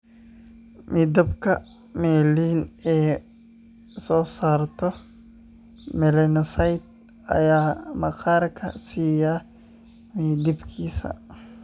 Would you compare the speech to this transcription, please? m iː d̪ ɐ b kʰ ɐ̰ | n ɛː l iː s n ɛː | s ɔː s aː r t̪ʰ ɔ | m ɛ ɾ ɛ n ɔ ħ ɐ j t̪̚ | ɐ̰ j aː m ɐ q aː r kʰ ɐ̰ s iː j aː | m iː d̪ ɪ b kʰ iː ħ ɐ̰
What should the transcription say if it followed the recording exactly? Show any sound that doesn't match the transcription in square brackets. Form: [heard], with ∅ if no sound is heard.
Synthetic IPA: m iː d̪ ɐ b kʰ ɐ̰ | [m] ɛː l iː [∅] n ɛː | s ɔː s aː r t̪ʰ ɔ | m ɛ [l] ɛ n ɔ [s] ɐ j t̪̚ | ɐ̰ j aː m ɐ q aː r kʰ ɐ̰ s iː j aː | m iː d̪ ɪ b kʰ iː [s] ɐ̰